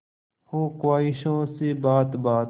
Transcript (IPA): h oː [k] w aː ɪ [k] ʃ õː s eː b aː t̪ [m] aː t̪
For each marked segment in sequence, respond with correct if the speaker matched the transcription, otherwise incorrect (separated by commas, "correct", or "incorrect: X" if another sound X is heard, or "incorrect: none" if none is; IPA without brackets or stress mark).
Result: correct, incorrect: none, incorrect: b